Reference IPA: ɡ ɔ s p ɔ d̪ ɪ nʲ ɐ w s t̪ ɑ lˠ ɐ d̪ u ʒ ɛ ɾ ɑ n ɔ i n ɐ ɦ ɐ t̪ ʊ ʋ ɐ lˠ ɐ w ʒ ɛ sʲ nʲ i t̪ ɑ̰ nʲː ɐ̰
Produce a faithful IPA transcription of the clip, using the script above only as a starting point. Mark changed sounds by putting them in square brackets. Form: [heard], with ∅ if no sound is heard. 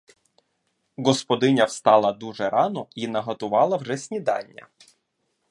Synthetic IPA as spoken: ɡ ɔ s p ɔ d̪ ɪ nʲ ɐ w s t̪ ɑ lˠ ɐ d̪ u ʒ ɛ ɾ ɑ n ɔ i n ɐ ɦ ɐ t̪ ʊ ʋ [ɑ] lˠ ɐ w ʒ ɛ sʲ nʲ i [d̪] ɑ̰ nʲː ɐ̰